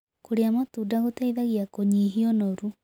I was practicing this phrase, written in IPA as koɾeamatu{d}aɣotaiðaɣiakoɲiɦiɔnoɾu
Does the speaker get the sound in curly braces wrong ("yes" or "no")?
no